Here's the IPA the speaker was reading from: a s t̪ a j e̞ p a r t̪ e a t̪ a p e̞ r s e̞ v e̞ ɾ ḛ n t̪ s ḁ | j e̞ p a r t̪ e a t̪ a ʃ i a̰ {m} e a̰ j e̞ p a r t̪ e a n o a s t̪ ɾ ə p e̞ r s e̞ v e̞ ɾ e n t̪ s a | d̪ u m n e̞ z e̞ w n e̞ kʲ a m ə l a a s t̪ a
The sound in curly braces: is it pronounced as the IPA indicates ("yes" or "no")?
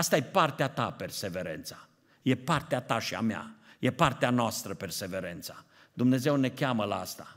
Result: yes